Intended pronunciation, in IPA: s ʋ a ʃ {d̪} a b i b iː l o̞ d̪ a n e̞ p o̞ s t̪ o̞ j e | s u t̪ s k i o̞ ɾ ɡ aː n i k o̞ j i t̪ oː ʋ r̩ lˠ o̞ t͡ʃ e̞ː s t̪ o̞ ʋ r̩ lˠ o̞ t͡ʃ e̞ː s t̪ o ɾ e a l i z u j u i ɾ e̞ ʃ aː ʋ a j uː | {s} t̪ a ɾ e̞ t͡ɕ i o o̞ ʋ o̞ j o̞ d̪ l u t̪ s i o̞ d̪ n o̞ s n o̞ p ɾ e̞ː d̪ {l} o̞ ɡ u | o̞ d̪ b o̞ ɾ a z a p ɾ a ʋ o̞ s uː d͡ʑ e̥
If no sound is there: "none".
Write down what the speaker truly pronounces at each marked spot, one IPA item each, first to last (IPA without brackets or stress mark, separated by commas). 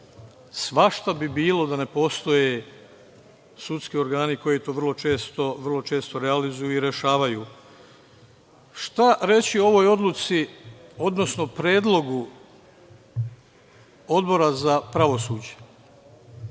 t̪, ʃ, l